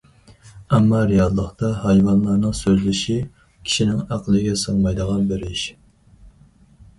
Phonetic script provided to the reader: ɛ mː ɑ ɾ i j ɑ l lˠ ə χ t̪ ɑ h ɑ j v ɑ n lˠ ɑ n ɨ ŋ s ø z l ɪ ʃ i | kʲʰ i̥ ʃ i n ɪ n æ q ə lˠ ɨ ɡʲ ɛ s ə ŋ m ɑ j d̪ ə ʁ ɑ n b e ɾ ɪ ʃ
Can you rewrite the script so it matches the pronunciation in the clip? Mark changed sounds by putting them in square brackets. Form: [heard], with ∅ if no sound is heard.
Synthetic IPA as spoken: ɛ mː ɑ ɾ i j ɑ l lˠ ə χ t̪ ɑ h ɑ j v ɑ n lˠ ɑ n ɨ ŋ s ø z l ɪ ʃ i | kʲʰ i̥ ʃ i n ɪ [ŋ] æ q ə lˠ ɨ ɡʲ ɛ s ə ŋ m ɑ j d̪ ə ʁ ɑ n b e ɾ ɪ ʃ

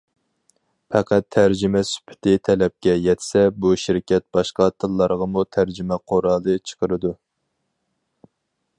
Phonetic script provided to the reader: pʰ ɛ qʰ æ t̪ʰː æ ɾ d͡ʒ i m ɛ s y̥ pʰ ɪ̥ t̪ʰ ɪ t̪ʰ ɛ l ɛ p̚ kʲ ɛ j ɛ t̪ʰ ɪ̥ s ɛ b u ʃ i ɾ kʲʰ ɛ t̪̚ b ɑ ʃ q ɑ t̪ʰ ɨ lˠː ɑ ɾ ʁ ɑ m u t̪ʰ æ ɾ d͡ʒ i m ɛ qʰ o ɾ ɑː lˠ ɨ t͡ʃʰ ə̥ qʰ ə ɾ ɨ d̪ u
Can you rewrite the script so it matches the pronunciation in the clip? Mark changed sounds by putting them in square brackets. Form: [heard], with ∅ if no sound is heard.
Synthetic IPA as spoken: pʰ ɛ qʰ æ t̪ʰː æ ɾ d͡ʒ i m ɛ s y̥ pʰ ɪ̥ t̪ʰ ɪ t̪ʰ ɛ l ɛ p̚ kʲ ɛ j ɛ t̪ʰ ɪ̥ s ɛ b u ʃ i ɾ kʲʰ ɛ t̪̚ b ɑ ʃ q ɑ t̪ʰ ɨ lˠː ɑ ɾ ʁ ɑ m u t̪ʰ æ ɾ d͡ʒ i m ɛ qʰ o ɾ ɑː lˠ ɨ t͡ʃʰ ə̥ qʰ ə ɾ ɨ d̪ u

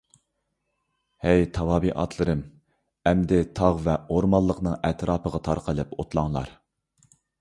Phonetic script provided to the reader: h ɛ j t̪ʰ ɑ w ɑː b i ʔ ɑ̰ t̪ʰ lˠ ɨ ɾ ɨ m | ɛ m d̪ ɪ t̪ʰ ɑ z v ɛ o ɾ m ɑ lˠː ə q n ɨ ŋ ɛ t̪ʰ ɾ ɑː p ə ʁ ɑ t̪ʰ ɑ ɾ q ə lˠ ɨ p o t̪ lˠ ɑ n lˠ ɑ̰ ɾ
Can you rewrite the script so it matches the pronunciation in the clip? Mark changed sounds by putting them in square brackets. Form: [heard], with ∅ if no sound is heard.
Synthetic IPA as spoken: h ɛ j t̪ʰ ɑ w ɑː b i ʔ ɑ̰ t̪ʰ lˠ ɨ ɾ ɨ m | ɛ m d̪ ɪ t̪ʰ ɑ [ʁ] v ɛ o ɾ m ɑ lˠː ə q n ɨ ŋ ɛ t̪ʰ ɾ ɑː p ə ʁ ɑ t̪ʰ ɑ ɾ q ə lˠ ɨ p o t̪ lˠ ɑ [ŋ] lˠ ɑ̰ ɾ

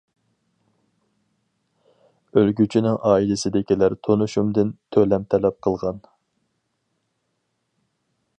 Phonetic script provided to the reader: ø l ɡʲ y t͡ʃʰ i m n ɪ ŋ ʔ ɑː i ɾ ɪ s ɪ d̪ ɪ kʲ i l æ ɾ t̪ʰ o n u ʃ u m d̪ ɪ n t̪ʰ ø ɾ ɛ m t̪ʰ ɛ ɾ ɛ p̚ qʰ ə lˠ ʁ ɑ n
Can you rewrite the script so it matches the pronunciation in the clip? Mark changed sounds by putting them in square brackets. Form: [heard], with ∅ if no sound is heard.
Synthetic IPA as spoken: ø l ɡʲ y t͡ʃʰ i [∅] n ɪ ŋ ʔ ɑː i [l] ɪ s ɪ d̪ ɪ kʲ i l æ ɾ t̪ʰ o n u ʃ u m d̪ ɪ n t̪ʰ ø [l] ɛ m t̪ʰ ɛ [l] ɛ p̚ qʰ ə lˠ ʁ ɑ n

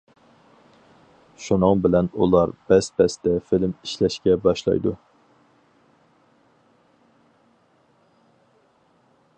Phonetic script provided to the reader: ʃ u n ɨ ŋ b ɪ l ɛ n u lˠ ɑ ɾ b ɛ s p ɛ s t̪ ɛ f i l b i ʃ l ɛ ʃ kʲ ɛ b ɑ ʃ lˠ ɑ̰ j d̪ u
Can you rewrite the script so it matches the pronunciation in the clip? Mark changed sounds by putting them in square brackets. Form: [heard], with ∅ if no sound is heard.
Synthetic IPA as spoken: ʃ u n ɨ ŋ b ɪ l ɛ n u lˠ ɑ ɾ b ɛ s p ɛ s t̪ ɛ f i l [m] i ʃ l ɛ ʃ kʲ ɛ b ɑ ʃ lˠ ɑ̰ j d̪ u

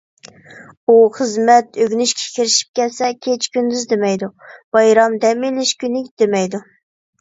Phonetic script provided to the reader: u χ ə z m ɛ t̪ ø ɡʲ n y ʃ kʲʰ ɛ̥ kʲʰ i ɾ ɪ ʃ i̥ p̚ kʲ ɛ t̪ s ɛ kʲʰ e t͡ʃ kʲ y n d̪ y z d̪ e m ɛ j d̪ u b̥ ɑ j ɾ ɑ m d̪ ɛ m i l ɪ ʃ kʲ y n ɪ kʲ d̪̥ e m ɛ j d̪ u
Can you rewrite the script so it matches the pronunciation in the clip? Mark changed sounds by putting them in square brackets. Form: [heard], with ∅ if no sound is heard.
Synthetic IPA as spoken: u χ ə z m ɛ t̪ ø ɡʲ n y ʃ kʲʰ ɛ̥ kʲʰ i ɾ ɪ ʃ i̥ p̚ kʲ ɛ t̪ s ɛ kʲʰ e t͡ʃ kʲ y n d̪ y z d̪ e m ɛ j d̪ u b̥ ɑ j ɾ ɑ m d̪ ɛ m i l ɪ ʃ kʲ y n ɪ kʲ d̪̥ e m ɛ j d̪ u

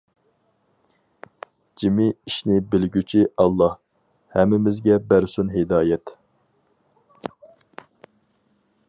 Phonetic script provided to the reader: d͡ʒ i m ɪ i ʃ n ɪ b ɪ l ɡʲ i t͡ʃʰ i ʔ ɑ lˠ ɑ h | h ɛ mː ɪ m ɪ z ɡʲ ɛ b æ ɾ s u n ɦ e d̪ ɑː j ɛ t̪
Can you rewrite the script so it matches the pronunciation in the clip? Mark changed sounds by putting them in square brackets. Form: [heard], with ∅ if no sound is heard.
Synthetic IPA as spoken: d͡ʒ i m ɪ i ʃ n ɪ b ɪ l ɡʲ [y] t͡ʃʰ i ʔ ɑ [lˠː] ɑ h | h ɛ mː ɪ m ɪ z ɡʲ ɛ b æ ɾ s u n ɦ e d̪ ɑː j ɛ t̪

